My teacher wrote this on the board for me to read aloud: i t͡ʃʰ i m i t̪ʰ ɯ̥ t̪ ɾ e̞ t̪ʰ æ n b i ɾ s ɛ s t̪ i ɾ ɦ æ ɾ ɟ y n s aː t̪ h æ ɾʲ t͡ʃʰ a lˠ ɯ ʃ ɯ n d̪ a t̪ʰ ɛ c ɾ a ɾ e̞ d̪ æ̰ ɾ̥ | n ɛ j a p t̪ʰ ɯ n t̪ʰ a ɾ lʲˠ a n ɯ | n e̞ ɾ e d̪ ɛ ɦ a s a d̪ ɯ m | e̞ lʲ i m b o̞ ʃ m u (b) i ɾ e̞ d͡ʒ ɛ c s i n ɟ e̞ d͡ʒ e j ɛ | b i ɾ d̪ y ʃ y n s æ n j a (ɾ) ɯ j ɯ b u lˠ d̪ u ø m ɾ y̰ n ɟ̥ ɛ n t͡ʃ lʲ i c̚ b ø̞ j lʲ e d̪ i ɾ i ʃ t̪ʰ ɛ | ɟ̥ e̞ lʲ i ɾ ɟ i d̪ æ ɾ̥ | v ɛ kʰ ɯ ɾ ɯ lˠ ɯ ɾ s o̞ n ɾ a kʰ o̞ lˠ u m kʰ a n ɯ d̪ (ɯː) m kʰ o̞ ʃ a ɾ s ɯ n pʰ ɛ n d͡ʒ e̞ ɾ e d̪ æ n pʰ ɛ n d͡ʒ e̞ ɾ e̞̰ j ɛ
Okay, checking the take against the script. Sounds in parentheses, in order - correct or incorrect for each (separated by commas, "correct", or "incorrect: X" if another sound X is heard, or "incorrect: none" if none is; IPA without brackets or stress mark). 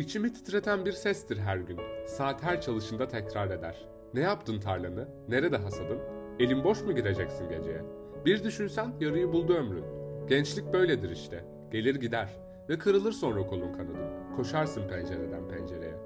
incorrect: ɟ, correct, incorrect: ɯ